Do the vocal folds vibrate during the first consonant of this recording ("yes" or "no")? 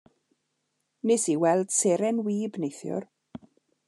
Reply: yes